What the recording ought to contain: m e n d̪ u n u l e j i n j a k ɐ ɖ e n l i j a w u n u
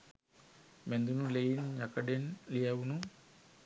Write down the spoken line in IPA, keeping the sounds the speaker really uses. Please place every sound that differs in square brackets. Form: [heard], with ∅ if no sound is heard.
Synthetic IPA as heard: m e n d̪ u n u l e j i n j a k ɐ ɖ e n l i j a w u n u